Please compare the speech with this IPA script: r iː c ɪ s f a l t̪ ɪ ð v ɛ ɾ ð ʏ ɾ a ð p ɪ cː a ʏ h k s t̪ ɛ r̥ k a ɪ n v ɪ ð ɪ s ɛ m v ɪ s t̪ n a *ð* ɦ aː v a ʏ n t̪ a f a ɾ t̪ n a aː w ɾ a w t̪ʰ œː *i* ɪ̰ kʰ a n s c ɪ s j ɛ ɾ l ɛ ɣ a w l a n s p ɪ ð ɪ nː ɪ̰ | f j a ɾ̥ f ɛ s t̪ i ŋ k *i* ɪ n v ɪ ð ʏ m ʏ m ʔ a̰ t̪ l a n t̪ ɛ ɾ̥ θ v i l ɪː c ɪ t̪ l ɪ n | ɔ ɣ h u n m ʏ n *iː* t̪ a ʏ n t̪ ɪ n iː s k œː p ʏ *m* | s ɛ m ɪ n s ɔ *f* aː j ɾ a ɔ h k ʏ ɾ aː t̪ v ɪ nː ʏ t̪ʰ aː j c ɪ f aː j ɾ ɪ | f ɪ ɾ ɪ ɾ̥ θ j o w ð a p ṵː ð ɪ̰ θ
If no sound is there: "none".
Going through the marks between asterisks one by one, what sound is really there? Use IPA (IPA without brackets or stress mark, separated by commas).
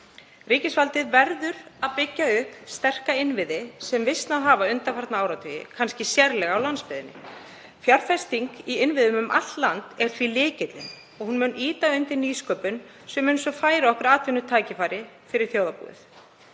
ð, j, i, iː, n, f